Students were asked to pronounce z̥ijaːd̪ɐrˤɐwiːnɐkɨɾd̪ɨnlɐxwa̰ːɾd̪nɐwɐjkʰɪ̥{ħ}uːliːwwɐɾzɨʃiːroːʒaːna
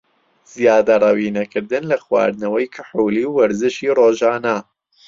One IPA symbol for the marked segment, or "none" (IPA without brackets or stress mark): ħ